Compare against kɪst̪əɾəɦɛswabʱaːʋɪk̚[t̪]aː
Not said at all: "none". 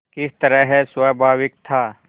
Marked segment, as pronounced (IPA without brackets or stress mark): t̪ʰ